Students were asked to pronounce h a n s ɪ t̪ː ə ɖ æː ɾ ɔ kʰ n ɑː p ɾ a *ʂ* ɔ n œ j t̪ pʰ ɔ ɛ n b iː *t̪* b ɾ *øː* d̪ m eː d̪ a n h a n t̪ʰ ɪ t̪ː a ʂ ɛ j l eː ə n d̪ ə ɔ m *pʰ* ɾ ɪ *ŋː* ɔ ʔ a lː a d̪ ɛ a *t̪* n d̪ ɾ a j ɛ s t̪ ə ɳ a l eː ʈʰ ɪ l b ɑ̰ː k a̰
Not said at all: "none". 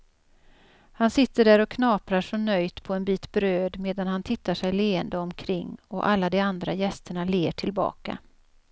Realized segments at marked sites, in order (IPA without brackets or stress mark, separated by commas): ʂ, t̪, øː, kʰ, ŋː, none